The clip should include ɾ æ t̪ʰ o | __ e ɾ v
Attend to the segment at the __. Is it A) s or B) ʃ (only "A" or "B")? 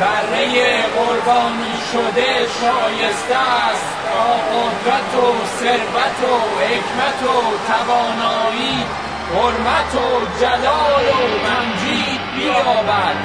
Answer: A